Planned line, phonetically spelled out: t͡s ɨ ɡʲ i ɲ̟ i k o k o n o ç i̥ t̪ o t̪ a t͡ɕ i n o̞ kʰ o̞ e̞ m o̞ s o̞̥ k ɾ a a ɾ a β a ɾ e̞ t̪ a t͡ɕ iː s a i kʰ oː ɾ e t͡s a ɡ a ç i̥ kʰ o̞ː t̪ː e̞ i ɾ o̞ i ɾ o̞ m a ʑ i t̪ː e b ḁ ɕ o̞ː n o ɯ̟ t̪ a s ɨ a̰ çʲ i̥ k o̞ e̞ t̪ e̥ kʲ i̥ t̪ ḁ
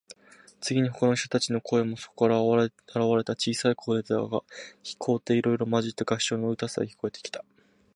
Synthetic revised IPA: t͡s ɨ ɡʲ i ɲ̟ i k o k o n o ç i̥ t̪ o t̪ a t͡ɕ i n o̞ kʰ o̞ e̞ m o̞ s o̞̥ k ɾ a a ɾ a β a ɾ e̞ t̪ a t͡ɕ iː s a i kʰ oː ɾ e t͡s a ɡ a ç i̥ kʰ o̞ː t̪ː e̞ i ɾ o̞ i ɾ o̞ m a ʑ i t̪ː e ɡ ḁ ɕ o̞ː n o ɯ̟ t̪ a s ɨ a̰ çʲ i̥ k o̞ e̞ t̪ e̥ kʲ i̥ t̪ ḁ